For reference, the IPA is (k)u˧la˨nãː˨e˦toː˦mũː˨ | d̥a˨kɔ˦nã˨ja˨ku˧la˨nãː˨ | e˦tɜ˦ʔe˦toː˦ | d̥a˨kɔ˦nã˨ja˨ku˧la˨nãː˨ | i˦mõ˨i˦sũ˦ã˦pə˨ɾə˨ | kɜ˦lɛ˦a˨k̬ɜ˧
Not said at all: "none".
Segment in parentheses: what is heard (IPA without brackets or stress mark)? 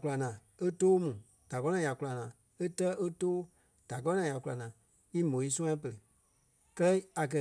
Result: k